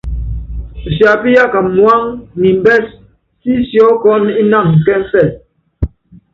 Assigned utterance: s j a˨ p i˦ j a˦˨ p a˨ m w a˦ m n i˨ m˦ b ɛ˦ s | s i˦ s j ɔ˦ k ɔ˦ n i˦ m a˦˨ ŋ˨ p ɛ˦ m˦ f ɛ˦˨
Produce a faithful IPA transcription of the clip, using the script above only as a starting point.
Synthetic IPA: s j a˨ p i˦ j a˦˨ k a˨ m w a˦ ŋ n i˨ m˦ b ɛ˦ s | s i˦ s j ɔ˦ k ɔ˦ n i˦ n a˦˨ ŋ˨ k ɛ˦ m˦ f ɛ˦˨